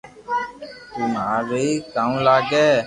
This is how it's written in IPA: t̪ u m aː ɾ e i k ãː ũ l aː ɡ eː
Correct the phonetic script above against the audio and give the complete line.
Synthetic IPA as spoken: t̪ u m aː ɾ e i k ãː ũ l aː ɡ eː